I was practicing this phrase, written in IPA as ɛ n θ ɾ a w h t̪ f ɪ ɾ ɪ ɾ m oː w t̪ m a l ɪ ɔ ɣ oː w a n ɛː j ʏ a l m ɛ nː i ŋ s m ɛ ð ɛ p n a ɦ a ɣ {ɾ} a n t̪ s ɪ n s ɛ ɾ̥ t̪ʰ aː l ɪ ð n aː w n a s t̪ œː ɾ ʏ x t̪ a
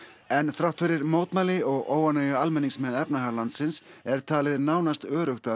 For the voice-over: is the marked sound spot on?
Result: no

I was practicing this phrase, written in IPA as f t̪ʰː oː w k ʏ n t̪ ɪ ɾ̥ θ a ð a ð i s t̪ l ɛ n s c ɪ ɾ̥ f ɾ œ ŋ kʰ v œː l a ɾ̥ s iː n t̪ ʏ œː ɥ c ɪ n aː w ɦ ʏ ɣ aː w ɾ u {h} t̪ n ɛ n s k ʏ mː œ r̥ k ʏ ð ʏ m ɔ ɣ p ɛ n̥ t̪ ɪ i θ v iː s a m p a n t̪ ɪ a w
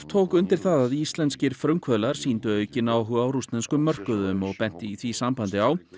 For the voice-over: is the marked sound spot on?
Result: no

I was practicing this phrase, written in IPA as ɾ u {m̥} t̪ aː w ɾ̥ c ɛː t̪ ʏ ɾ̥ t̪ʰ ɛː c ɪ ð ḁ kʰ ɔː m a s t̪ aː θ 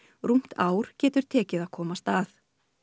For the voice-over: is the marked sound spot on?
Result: yes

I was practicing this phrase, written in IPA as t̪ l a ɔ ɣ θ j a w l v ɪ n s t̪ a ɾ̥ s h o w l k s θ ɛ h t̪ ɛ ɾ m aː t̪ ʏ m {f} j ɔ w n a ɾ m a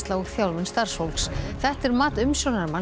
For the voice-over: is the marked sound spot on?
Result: no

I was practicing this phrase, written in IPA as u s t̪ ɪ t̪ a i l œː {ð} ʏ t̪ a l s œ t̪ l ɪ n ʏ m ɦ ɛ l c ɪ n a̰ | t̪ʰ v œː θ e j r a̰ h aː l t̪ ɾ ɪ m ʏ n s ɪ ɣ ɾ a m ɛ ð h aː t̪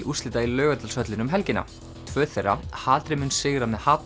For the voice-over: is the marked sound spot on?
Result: no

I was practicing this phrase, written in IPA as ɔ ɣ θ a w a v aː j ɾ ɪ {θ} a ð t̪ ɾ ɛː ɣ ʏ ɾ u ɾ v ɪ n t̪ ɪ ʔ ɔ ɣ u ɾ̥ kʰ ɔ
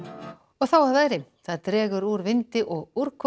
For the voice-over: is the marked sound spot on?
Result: yes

